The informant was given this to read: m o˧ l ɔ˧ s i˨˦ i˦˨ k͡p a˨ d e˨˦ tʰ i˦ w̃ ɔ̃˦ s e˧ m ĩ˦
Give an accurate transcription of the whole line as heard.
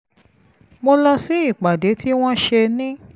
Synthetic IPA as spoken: m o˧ l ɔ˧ s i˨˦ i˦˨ k͡p a˨ d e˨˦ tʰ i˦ w̃ ɔ̃˦ ʃ e˧ n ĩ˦